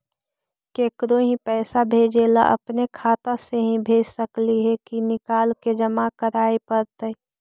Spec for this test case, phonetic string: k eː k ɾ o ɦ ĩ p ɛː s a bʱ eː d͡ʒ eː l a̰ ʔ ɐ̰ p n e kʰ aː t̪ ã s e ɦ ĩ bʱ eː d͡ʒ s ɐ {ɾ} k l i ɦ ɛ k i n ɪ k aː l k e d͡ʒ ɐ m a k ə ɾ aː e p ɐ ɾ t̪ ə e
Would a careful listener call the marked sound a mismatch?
yes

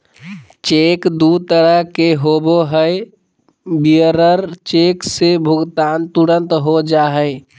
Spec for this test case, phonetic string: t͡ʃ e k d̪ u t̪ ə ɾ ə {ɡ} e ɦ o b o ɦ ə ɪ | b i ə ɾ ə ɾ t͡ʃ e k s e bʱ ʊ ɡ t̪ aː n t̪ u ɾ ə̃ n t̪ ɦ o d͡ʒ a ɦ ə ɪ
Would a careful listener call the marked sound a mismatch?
yes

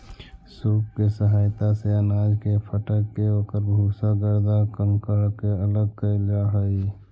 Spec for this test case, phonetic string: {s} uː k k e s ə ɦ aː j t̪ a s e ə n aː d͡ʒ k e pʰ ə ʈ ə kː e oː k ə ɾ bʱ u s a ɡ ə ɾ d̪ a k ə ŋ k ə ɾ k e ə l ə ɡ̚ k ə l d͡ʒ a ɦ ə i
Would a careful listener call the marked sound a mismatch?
no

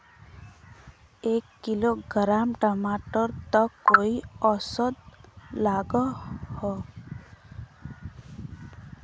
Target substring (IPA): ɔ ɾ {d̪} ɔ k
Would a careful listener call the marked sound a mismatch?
yes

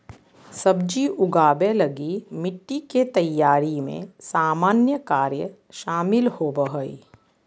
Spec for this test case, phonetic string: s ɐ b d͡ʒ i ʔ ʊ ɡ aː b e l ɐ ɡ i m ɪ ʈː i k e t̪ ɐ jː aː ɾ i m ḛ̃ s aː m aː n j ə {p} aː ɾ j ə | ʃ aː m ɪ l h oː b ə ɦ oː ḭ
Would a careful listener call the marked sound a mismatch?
yes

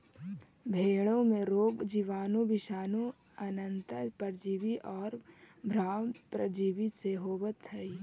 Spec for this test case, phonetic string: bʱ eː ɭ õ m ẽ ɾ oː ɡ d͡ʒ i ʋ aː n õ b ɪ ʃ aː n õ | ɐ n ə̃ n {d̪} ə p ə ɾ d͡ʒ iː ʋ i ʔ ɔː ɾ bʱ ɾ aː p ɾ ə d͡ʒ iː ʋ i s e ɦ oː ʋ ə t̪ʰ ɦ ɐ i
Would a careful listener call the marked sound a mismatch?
yes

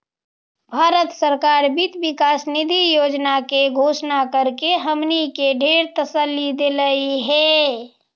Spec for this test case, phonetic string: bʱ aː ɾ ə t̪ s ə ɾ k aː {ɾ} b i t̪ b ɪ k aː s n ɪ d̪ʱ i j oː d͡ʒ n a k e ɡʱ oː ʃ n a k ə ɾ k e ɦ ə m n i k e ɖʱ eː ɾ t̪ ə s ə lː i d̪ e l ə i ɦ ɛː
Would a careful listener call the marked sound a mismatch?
no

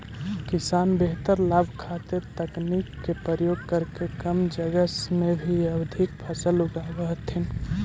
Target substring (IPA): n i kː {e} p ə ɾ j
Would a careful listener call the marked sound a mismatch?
no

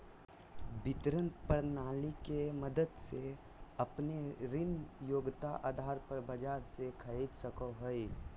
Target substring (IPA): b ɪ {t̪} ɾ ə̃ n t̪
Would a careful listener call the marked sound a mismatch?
no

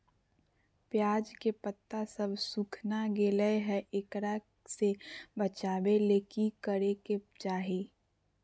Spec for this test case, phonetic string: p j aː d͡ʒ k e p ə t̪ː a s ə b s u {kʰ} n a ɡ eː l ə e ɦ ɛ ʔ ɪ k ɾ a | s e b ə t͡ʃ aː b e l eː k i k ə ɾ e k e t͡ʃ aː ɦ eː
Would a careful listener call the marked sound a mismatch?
no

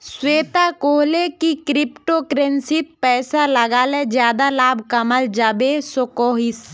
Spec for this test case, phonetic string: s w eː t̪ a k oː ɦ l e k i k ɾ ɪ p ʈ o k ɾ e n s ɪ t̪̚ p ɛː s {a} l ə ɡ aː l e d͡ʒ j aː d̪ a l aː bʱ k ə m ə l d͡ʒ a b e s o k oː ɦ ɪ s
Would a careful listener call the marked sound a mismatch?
no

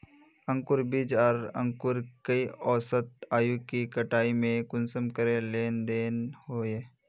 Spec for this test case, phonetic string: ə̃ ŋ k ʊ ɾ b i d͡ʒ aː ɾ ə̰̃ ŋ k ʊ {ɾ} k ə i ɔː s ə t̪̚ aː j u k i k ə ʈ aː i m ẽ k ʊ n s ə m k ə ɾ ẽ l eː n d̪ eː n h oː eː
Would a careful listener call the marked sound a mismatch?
no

